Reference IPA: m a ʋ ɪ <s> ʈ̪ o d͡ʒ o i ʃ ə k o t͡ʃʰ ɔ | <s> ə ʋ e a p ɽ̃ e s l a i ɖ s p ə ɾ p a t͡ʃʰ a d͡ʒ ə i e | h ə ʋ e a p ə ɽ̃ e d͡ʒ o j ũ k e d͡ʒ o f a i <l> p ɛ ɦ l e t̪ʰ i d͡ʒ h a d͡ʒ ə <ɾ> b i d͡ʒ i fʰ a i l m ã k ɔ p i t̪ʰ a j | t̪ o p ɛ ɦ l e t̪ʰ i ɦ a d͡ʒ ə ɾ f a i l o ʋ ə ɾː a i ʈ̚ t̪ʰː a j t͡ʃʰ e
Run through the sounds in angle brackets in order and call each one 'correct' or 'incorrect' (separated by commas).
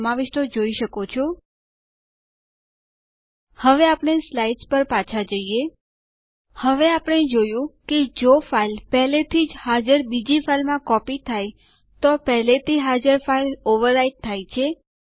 incorrect, incorrect, correct, correct